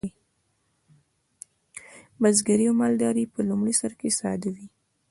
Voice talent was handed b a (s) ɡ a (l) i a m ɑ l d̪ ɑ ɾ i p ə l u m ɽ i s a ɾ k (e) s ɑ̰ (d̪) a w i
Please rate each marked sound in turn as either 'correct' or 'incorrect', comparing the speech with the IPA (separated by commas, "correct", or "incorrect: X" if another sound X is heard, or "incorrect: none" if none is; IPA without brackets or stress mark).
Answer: incorrect: z, incorrect: ɾ, correct, correct